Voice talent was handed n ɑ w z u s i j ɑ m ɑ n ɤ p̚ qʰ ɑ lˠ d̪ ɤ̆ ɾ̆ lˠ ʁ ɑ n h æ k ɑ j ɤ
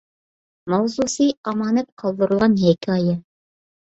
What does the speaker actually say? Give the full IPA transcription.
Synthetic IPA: m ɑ w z u s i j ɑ m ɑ n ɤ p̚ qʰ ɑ lˠ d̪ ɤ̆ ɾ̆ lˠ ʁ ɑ n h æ k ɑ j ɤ